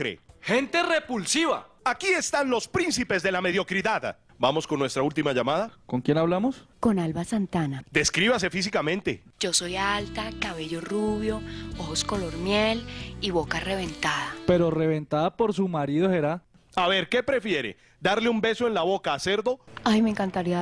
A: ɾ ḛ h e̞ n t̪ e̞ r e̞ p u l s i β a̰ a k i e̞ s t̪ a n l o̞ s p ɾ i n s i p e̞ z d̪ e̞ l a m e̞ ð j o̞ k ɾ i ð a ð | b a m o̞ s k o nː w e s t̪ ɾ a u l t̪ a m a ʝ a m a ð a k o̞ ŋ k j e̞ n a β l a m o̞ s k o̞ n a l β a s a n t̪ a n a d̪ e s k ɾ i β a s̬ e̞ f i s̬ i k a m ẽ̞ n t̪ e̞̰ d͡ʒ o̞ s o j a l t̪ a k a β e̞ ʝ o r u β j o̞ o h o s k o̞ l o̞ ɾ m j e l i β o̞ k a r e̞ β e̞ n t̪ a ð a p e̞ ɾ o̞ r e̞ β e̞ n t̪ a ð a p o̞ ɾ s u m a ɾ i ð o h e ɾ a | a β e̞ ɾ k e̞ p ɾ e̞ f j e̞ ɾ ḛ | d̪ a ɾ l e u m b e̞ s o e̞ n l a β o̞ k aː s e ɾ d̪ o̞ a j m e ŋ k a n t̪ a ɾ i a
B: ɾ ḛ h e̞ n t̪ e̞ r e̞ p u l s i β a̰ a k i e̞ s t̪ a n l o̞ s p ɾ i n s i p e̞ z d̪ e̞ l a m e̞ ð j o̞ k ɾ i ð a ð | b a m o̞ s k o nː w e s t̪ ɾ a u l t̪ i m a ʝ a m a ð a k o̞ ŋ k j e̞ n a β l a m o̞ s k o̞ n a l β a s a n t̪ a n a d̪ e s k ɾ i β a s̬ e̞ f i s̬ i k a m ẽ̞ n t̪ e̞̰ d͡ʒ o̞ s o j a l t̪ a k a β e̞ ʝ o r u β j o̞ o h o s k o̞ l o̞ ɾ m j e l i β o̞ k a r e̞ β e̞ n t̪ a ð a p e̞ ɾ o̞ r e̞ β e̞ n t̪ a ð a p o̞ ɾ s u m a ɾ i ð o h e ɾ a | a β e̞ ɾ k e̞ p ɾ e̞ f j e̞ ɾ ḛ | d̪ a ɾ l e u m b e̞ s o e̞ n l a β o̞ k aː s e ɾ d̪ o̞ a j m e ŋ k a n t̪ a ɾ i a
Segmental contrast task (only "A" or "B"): B